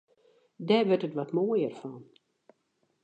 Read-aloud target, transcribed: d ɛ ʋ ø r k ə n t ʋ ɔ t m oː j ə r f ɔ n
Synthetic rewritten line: d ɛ ʋ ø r t ə t ʋ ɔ t m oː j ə r f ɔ n